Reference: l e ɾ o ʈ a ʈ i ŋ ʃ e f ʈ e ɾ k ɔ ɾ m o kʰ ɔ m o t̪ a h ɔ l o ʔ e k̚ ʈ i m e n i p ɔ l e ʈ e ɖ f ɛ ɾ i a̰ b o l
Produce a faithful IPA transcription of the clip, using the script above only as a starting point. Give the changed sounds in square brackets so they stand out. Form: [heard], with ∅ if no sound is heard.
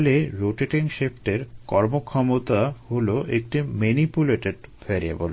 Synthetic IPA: l e ɾ o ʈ [e] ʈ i ŋ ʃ e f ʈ e ɾ k ɔ ɾ m o kʰ ɔ m o t̪ a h [o] l o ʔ e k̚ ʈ i m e n i p [u] l e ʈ e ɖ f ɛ ɾ i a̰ b o l